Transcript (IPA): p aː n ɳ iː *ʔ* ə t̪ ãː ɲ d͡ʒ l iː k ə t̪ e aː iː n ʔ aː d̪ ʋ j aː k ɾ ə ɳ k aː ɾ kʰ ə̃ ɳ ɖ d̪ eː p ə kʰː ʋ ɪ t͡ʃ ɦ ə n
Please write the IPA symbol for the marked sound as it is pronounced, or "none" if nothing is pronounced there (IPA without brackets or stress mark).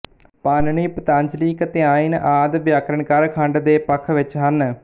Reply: p